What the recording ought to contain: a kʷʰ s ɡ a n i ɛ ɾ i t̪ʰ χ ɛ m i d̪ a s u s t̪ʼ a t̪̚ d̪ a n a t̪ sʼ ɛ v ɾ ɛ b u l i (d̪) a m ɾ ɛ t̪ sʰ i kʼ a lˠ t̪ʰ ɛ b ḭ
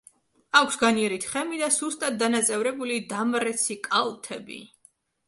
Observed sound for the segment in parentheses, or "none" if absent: d̪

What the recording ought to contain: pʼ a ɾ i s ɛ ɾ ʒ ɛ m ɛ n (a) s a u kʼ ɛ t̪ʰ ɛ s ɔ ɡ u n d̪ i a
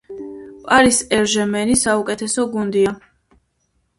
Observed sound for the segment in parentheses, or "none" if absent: i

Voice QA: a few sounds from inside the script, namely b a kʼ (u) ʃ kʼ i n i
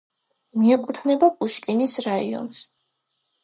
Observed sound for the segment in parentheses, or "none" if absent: u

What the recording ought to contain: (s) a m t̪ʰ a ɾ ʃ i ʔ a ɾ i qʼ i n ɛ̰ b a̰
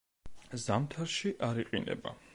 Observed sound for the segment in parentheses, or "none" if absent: z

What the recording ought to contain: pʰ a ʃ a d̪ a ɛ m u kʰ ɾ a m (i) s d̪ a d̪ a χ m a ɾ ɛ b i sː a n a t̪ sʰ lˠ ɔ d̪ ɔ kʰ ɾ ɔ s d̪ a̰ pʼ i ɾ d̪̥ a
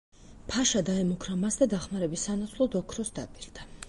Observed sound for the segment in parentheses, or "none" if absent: a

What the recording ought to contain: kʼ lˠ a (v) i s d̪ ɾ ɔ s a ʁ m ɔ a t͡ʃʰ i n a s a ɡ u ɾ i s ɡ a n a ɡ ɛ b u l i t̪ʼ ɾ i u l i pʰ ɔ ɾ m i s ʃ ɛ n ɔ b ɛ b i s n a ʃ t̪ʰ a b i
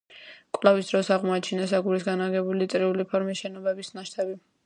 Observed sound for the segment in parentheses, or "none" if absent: v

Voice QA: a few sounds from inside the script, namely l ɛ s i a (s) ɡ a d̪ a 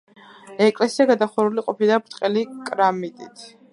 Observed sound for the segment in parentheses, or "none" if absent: none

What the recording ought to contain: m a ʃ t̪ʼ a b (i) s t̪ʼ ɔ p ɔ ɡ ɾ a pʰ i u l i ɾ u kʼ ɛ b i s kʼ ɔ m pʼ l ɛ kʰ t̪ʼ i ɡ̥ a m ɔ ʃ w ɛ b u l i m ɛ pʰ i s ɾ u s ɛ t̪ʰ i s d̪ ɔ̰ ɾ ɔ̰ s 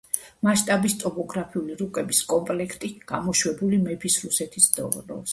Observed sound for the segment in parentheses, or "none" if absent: i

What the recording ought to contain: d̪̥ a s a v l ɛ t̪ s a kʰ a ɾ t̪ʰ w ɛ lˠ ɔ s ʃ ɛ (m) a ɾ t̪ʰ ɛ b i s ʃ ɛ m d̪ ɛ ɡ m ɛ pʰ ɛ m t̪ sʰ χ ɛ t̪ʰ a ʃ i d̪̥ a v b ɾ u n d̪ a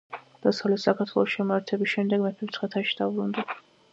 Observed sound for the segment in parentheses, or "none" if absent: m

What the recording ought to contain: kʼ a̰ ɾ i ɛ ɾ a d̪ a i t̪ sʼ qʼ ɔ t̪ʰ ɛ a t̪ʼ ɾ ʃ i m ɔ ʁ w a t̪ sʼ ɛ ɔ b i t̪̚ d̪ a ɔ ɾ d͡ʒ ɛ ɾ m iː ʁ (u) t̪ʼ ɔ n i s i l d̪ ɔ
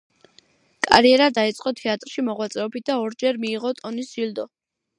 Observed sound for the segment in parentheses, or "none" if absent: ɔ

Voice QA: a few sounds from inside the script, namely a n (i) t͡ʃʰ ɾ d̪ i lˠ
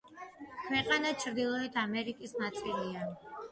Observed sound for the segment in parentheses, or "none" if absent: a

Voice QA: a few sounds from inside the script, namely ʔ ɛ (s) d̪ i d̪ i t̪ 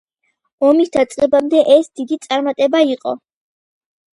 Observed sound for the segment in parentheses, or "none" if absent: s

